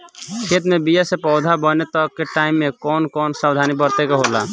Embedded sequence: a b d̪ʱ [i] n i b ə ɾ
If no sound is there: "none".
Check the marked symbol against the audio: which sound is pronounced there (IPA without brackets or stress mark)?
a